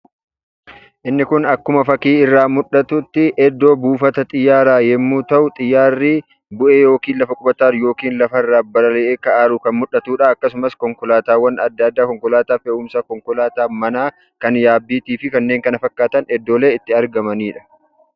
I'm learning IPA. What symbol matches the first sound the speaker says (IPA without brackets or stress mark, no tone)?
ʔ